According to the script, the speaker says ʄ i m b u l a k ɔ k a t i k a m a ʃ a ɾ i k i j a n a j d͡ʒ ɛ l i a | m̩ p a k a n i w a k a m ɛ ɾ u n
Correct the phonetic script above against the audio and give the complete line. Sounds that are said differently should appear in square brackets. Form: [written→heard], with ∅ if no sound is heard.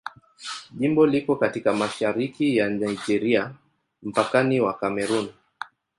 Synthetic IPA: ʄ i m b [u→ɔ] l [a→i] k ɔ k a t i k a m a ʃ a ɾ i k i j a n a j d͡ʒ ɛ [l→ɾ] i a | m̩ p a k a n i w a k a m ɛ ɾ u n